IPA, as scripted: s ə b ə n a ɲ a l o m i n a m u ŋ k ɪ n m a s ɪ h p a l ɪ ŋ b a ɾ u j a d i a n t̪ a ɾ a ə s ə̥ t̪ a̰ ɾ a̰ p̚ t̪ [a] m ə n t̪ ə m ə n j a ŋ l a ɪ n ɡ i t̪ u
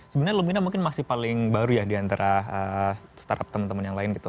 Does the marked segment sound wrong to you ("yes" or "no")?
yes